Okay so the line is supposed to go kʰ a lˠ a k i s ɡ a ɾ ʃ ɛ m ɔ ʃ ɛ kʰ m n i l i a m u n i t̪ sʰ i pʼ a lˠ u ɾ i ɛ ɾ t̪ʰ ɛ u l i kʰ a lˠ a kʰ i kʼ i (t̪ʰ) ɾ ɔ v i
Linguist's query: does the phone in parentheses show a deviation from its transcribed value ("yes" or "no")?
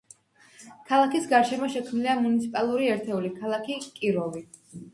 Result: yes